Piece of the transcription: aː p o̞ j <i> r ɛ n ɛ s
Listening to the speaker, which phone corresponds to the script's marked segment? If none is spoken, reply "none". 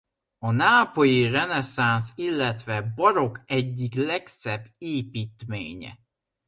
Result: i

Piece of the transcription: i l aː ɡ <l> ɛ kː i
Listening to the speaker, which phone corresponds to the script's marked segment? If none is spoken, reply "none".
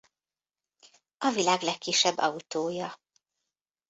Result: l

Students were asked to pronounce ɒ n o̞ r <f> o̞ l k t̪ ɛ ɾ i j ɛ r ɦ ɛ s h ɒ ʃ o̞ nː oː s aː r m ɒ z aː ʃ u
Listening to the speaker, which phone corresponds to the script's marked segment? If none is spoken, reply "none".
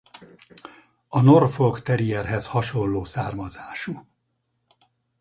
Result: f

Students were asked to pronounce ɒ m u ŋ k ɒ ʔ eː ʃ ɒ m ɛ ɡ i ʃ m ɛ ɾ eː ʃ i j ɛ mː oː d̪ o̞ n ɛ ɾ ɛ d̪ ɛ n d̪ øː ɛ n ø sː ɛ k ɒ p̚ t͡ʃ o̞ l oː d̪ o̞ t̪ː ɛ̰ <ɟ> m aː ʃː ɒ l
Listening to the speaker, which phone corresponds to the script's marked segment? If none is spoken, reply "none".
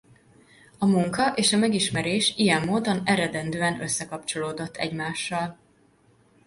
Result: ɟ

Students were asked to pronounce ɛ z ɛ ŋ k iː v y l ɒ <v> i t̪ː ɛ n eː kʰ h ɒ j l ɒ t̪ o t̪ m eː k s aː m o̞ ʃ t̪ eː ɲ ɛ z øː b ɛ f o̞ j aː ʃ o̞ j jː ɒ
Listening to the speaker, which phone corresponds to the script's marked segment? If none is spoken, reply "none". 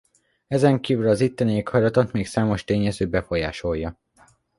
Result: z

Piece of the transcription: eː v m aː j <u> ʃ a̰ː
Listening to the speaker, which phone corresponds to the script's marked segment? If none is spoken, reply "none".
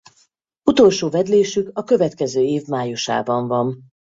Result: u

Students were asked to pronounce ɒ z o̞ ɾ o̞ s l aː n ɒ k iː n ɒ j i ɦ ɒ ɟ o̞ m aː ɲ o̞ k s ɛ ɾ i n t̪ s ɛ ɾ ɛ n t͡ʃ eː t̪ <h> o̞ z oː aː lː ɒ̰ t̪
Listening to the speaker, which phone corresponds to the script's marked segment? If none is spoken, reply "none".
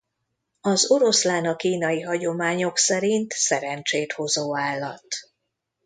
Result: h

